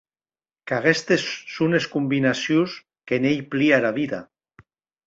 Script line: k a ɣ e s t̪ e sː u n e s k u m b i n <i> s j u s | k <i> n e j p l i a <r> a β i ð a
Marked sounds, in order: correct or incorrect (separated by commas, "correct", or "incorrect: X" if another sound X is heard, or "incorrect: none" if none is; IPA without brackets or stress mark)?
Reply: incorrect: a, incorrect: e, incorrect: ɾ